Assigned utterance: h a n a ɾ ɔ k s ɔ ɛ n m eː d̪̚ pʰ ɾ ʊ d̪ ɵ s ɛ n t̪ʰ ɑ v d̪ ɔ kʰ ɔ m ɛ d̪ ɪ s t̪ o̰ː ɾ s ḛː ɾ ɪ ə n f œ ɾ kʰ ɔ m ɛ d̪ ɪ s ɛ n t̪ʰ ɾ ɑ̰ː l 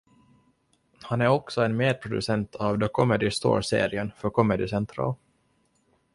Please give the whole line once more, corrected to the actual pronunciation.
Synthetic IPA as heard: h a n æ ɾ ɔ k s ɔ ɛ n m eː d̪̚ pʰ ɾ ʊ d̪ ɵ s ɛ n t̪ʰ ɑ v d̪ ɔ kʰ ɔ m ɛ d̪ ɪ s t̪ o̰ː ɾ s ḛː ɾ ɪ ə n f œ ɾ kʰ ɔ m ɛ d̪ ɪ s ɛ n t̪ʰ ɾ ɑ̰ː l

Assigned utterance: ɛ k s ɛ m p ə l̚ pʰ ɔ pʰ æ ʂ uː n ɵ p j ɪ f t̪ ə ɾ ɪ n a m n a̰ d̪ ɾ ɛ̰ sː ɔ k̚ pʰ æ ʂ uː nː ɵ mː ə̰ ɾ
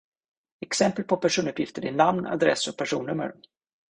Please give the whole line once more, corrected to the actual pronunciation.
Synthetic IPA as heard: ɛ k s ɛ m p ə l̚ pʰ ɔ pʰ æ ʂ uː n ɵ p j ɪ f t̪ ə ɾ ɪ n a m n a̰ d̪ ɾ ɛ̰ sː ɔ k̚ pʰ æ ʂ uː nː ɵ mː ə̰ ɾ

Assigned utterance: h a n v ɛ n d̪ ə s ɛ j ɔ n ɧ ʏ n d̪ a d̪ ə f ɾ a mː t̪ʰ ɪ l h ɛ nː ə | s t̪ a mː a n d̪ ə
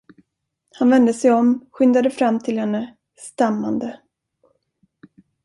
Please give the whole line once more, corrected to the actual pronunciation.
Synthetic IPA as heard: h a n v ɛ n d̪ ə s ɛ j ɔ m ɧ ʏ n d̪ a d̪ ə f ɾ a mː t̪ʰ ɪ l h ɛ nː ə | s t̪ a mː a n d̪ ə

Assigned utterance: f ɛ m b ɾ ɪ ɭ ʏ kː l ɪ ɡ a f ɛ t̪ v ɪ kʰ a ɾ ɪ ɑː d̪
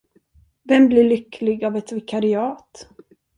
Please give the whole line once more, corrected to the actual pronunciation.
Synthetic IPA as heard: v ɛ m b l ɪ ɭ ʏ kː l ɪ ɡ a v ɛ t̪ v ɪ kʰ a ɾ ɪ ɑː t̪

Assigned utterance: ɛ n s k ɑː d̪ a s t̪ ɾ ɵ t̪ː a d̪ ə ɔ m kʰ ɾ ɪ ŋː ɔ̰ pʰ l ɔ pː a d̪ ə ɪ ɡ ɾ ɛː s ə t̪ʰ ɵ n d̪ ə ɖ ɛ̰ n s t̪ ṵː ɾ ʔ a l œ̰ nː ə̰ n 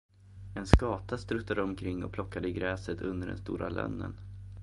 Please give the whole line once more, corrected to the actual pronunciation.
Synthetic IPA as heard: ɛ n s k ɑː t̪ a s t̪ ɾ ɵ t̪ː a d̪ ə ɔ m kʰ ɾ ɪ ŋː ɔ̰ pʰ l ɔ kː a d̪ ə ɪ ɡ ɾ ɛː s ə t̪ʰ ɵ n d̪ ə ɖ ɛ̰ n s t̪ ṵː ɾ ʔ a l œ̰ nː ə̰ n

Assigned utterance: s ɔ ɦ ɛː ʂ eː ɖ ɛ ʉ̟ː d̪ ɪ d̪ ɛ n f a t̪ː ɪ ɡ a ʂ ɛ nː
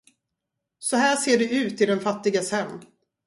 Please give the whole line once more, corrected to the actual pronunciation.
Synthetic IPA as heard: s ɔ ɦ æː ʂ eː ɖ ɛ ʉ̟ː t̪ ɪ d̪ ɛ n f a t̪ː ɪ ɡ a s ɛ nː

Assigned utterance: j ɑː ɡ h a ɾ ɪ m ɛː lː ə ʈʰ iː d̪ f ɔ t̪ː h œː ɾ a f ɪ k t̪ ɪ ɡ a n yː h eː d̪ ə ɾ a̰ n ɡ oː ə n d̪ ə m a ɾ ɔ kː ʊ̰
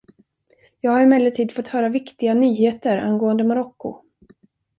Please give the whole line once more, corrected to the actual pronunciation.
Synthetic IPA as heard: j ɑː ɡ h a ɾ ɪ m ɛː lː ə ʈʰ iː d̪ f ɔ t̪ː h œː ɾ a v ɪ k t̪ ɪ ɡ a n yː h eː t̪ ə ɾ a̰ n ɡ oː ə n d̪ ə m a ɾ ɔ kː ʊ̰

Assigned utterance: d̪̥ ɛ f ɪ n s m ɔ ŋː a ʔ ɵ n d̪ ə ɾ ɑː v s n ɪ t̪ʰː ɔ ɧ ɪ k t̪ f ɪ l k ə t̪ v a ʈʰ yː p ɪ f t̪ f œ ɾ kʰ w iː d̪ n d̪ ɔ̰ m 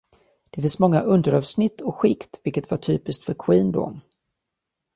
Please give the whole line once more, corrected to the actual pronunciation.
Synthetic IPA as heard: d̪̥ ɛ f ɪ n s m ɔ ŋː a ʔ ɵ n d̪ ə ɾ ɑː v s n ɪ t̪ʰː ɔ ɧ ɪ k t̪ v ɪ l k ə t̪ v a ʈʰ yː p ɪ s t̪ f œ ɾ kʰ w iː n d̪ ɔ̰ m

